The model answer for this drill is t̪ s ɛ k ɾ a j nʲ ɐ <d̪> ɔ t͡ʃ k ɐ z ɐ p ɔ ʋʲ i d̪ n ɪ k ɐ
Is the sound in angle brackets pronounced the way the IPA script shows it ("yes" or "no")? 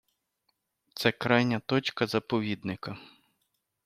no